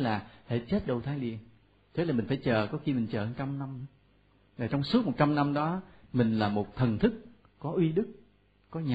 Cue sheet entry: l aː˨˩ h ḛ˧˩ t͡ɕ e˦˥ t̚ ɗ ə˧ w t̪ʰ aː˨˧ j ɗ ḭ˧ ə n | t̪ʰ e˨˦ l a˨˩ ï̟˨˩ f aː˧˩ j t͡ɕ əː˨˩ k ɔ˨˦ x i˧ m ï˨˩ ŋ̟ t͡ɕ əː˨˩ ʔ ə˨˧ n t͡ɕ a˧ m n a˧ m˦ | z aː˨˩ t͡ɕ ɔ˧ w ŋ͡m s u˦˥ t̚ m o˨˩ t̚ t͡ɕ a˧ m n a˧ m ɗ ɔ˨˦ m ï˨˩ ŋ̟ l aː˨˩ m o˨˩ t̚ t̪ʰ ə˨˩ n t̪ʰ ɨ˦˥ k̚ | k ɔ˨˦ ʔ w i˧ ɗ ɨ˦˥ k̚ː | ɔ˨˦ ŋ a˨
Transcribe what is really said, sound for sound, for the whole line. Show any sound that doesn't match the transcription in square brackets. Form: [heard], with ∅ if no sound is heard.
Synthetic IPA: l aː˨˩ h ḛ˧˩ t͡ɕ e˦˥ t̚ ɗ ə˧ w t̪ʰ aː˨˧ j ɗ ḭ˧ ə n | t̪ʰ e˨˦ l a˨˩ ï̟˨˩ f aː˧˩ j t͡ɕ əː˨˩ k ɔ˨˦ x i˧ m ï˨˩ ŋ̟ t͡ɕ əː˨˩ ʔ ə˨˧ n t͡ɕ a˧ m n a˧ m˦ | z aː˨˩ t͡ɕ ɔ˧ w ŋ͡m s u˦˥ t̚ m o˨˩ t̚ t͡ɕ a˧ m n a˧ m ɗ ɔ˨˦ m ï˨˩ ŋ̟ l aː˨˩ m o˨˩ t̚ t̪ʰ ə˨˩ n t̪ʰ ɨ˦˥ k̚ | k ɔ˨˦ ʔ w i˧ ɗ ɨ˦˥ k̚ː | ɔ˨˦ [ɲ] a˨